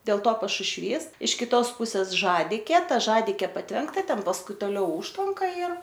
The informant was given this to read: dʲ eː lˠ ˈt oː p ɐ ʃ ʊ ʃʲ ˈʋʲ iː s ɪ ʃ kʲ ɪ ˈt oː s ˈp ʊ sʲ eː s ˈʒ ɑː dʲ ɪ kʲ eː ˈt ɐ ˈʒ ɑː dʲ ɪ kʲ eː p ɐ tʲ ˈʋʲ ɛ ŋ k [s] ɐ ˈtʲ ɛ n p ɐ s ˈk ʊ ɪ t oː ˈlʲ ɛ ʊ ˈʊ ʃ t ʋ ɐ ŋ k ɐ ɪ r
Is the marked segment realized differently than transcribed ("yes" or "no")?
yes